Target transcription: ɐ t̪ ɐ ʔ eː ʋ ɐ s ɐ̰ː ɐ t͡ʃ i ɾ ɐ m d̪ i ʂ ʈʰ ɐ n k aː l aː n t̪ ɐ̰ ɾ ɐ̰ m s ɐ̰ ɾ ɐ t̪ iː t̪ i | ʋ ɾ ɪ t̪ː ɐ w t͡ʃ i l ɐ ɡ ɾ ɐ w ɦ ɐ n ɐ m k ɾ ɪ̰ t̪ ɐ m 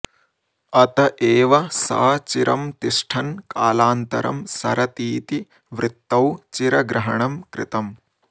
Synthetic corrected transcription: ɐ t̪ ɐ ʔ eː ʋ ɐ s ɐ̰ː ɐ t͡ʃ i ɾ ɐ m t̪ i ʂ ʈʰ ɐ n k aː l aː n t̪ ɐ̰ ɾ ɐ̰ m s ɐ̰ ɾ ɐ t̪ iː t̪ i | ʋ ɾ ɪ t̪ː ɐ w t͡ʃ i ɾ ɐ ɡ ɾ ɐ ɦ ɐ ɳ ɐ m k ɾ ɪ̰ t̪ ɐ m